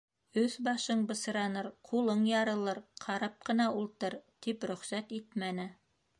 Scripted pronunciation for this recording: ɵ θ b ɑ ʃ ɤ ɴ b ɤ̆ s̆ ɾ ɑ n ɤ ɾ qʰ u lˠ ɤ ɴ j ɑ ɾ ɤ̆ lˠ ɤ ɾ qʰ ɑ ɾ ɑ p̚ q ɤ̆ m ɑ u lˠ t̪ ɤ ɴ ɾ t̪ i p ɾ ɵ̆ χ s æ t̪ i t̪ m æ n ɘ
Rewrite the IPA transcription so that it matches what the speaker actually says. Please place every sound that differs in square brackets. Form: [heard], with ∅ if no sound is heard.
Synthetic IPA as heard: ɵ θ b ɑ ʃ ɤ ɴ b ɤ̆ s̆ ɾ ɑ n ɤ ɾ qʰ u lˠ ɤ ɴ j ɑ ɾ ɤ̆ lˠ ɤ ɾ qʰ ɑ ɾ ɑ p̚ q ɤ̆ [n] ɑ u lˠ t̪ ɤ [∅] ɾ t̪ i p ɾ ɵ̆ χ s æ t̪ i t̪ m æ n ɘ